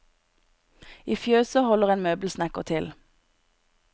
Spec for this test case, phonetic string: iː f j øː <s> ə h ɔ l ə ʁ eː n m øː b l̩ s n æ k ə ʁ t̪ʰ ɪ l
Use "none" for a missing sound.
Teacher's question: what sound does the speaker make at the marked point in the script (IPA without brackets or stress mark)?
s